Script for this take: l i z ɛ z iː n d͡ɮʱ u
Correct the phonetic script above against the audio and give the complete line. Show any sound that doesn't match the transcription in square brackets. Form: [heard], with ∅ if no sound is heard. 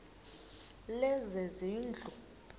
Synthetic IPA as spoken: l [ɛ] z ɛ z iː n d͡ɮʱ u

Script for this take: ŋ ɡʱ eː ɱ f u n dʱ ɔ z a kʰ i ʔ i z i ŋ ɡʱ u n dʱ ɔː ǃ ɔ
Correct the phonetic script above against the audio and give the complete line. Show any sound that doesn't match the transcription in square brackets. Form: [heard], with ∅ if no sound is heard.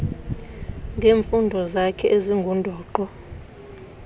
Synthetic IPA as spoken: ŋ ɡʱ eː ɱ f u n dʱ ɔ z a kʰ [ɛ] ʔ [e] z i ŋ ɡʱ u n dʱ ɔː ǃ ɔ

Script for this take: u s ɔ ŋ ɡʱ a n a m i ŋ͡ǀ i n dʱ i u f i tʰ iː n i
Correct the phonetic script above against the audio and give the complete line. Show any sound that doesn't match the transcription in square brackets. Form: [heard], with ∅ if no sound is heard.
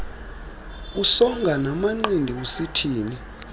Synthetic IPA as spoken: u s ɔ ŋ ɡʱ a n a m [a] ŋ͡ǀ i n dʱ i u [s] i tʰ iː n i

